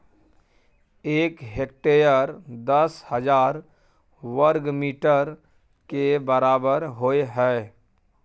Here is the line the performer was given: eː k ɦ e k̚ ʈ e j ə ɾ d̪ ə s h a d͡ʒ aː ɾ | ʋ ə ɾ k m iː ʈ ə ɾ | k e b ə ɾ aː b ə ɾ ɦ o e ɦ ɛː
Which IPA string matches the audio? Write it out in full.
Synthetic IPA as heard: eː k ɦ e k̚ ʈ e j ə ɾ d̪ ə s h ə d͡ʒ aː ɾ | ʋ ə ɾ ɡ m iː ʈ ə ɾ | k e b ə ɾ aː b ə ɾ ɦ o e ɦ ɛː